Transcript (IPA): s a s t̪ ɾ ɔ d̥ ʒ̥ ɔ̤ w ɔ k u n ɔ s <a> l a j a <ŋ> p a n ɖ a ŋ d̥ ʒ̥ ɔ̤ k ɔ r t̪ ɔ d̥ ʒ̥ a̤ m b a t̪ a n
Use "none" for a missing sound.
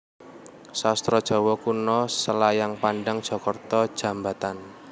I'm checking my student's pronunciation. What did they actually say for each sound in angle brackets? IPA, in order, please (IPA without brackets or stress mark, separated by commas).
ə, ŋ